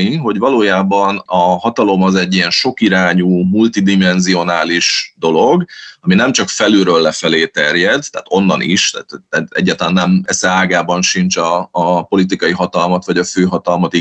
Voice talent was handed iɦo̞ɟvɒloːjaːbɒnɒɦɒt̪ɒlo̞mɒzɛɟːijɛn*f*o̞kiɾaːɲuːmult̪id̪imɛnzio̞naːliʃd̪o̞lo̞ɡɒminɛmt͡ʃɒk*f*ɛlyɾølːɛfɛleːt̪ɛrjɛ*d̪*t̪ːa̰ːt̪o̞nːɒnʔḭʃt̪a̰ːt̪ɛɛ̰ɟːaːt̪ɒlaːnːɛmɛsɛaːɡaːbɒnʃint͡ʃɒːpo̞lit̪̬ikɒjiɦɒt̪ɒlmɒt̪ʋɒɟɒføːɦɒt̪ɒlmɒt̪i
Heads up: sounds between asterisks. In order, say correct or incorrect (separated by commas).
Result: incorrect, correct, correct